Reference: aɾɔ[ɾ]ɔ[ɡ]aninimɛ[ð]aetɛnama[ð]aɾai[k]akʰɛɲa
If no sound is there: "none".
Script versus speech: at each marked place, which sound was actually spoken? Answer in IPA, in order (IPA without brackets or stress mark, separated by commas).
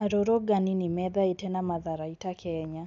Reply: ɾ, ɡ, ð, ð, t